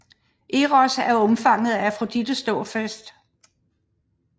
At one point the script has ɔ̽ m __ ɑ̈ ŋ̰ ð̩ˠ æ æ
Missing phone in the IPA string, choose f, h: f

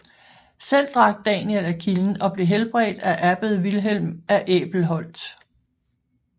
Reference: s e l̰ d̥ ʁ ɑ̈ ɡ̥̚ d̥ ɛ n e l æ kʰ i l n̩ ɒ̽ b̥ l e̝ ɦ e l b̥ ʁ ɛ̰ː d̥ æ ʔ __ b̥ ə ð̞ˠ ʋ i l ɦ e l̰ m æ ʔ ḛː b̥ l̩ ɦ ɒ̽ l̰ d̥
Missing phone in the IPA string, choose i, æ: æ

